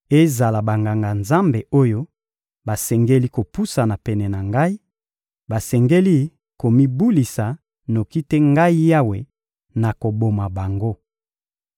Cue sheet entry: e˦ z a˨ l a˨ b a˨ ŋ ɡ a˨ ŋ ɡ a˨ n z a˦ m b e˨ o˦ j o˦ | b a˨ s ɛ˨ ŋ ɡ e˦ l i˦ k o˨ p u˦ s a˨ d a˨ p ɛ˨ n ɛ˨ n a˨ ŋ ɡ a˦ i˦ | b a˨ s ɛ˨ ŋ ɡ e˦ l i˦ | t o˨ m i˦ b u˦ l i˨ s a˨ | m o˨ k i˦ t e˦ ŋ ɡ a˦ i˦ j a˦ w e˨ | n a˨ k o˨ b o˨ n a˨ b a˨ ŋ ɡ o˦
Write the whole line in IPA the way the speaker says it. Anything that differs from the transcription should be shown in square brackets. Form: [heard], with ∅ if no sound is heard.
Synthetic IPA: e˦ z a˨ l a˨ b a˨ ŋ ɡ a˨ ŋ ɡ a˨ n z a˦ m b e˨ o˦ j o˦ | b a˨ s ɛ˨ ŋ ɡ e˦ l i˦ k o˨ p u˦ s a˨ [n] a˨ p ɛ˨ n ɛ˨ n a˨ ŋ ɡ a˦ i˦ | b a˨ s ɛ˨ ŋ ɡ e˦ l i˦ | [k] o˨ m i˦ b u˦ l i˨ s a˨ | [n] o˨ k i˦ t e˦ ŋ ɡ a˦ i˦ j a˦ w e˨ | n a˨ k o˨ b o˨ [m] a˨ b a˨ ŋ ɡ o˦